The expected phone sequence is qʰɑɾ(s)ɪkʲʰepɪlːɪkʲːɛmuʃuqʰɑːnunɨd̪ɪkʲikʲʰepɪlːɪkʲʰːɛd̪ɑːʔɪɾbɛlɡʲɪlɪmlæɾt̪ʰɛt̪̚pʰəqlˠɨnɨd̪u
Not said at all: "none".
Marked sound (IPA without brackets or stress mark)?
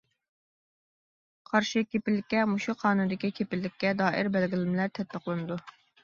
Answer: ʃ